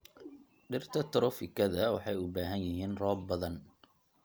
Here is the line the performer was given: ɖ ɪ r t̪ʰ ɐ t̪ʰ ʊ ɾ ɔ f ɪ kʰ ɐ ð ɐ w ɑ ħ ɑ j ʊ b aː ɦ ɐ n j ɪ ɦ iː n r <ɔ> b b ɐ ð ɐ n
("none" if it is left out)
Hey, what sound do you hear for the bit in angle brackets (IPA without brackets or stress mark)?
ɔː